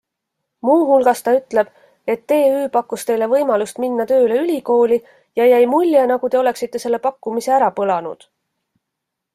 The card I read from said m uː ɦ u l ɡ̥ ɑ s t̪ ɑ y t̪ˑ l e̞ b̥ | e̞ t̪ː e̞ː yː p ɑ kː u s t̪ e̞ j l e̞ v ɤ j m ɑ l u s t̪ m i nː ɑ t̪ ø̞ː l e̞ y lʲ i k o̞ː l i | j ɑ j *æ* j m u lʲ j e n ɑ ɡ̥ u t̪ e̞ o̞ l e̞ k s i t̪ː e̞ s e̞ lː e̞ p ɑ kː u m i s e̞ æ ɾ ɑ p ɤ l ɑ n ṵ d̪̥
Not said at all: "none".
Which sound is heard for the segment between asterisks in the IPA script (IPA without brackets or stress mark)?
æ